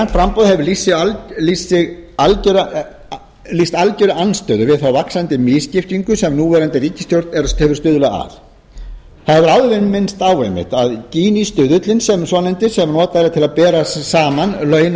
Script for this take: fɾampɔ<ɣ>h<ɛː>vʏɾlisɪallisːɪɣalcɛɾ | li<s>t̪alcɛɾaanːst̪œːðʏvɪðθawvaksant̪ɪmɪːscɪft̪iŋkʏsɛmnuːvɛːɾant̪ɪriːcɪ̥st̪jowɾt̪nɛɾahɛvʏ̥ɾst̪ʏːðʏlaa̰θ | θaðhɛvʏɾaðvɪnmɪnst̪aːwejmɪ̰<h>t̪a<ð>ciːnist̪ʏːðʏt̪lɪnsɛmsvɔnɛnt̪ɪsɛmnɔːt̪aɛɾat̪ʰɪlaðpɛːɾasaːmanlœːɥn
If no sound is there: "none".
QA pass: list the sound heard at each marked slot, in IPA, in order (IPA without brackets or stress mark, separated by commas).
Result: ð, ɛ, s, h, ð